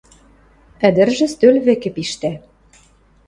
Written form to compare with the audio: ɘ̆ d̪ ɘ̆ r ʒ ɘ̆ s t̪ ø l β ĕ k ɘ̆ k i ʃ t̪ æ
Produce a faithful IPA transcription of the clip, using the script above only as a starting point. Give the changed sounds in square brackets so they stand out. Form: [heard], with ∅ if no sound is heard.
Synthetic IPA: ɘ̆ d̪ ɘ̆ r ʒ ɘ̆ s t̪ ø l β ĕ k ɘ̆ [p] i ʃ t̪ æ